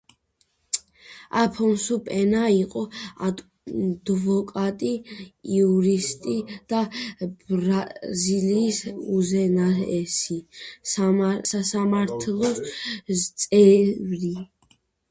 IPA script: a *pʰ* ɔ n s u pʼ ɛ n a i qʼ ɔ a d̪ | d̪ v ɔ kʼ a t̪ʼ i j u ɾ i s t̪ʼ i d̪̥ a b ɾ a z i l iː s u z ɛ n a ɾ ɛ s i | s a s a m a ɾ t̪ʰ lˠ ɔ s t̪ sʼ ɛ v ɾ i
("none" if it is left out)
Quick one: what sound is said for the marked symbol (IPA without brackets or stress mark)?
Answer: pʰ